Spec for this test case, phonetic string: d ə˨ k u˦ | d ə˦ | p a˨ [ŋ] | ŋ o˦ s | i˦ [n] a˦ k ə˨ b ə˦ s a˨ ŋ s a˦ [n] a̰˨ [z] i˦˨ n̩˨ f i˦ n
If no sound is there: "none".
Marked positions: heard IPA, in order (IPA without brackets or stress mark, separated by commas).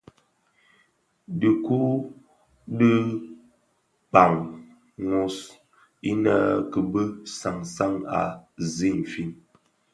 ŋ, n, ŋ, z